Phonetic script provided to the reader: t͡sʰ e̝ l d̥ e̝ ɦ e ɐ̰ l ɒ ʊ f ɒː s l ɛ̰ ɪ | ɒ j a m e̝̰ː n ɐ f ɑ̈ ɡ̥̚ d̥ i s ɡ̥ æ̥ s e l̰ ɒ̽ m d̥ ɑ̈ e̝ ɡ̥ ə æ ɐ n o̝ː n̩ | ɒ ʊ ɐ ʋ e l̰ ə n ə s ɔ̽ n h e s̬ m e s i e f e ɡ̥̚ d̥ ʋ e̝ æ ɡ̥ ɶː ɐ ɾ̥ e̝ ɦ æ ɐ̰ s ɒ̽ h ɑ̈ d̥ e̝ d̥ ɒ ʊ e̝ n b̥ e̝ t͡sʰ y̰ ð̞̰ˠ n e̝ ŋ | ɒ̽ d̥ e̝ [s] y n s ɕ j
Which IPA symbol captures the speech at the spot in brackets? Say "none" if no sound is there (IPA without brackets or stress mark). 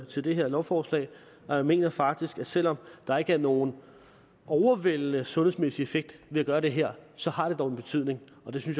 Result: s